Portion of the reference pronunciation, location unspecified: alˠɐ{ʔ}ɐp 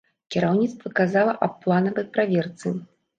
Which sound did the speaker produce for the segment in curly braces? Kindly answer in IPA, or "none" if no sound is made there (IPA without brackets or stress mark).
ʔ